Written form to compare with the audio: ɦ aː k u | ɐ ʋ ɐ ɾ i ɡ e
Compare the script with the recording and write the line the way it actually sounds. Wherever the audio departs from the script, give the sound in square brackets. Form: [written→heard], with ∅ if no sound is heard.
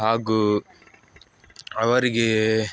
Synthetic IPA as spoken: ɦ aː [k→ɡ] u | ɐ ʋ ɐ ɾ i ɡ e